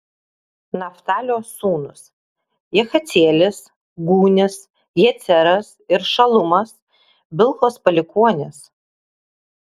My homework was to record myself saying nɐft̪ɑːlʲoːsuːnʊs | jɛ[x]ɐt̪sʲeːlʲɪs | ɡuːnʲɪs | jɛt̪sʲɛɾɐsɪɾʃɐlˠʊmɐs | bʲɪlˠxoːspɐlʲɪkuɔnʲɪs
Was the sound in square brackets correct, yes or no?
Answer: yes